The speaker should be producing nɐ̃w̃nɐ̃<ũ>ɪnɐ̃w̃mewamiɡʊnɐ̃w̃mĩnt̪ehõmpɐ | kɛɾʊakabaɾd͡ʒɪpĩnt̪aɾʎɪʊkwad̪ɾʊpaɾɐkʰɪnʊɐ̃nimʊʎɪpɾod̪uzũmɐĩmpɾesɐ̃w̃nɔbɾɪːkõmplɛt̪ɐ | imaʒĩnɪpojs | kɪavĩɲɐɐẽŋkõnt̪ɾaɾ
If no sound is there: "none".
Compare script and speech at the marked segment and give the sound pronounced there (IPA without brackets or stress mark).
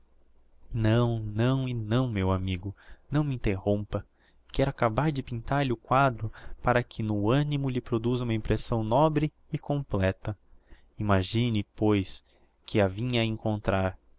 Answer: w̃